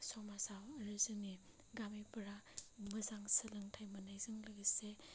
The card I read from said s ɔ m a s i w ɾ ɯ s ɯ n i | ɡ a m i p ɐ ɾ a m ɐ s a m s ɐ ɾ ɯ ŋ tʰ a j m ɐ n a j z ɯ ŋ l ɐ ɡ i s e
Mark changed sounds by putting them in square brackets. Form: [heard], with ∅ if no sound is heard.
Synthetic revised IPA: s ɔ m a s [a] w ɾ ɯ [z] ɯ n i | ɡ a m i p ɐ ɾ a m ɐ [z] a [ŋ] s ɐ [l] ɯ ŋ tʰ a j m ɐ n a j z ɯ ŋ l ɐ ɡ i s e